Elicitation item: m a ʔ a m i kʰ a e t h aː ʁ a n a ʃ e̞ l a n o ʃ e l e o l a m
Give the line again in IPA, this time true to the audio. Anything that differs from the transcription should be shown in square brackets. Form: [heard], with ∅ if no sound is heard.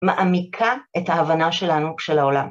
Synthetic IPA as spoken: m a ʔ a m i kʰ a e t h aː [v] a n a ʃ e̞ l a n [u] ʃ e l [a] o l a m